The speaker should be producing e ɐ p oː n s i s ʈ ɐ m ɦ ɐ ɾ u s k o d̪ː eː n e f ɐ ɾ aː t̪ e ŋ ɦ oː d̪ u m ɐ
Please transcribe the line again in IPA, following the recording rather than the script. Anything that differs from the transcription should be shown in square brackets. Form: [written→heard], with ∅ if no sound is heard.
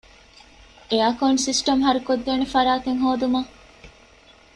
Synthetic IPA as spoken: e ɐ [p→k] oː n s i s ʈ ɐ m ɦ ɐ ɾ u [s→∅] k o d̪ː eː n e f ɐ ɾ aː t̪ e ŋ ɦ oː d̪ u m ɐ